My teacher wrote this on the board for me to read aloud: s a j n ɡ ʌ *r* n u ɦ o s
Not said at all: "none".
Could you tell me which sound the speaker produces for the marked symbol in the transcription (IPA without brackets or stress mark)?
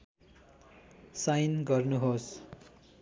r